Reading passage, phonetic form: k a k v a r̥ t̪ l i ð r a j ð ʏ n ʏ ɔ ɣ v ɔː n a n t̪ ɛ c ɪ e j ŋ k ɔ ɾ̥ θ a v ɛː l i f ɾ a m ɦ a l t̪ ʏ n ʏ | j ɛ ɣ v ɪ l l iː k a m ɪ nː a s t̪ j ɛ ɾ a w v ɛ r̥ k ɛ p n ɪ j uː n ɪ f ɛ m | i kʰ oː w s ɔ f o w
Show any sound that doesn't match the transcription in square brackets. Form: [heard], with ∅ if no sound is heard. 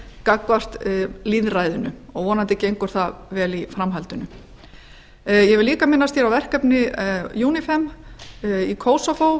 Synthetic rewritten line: k a k v a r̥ t̪ l i ð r a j ð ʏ n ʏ ɔ ɣ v ɔː n a n t̪ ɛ c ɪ e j ŋ k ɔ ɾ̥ θ a v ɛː l i f ɾ a m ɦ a l t̪ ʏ n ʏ | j ɛ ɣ v ɪ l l iː k a m ɪ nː a s t̪ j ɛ ɾ a w v ɛ r̥ k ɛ p n ɪ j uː n ɪ f ɛ m | i kʰ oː w s ɔ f o w